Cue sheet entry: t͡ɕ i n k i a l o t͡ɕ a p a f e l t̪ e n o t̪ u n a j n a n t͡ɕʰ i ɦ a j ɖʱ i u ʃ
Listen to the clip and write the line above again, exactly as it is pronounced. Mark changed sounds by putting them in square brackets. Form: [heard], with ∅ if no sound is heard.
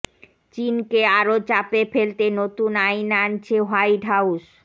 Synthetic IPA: t͡ɕ i n k [e] a [ɾ] o t͡ɕ a p [e] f e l t̪ e n o t̪ u n a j n a n t͡ɕʰ [e] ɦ a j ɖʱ [a] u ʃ